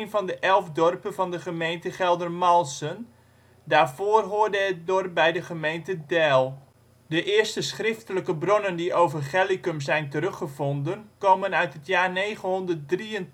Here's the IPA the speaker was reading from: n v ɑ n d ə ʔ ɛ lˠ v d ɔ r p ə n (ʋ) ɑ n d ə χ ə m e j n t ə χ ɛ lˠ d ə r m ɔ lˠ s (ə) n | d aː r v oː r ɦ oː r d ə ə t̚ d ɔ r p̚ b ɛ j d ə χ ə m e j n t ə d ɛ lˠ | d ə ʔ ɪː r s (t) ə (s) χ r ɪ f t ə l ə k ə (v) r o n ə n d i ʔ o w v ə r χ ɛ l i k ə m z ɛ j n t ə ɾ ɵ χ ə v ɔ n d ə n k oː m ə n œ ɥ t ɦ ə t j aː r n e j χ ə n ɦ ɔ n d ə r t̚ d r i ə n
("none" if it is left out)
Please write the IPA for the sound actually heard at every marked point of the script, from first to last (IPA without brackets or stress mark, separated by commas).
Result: v, ə, t, s, b